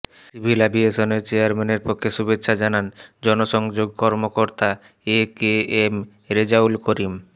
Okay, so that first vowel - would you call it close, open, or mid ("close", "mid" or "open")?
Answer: close